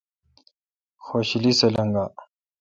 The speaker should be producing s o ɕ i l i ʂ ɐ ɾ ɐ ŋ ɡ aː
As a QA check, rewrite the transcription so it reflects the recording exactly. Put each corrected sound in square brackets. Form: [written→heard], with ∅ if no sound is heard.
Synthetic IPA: [s→x] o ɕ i l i [ʂ→s] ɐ [ɾ→l] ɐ ŋ ɡ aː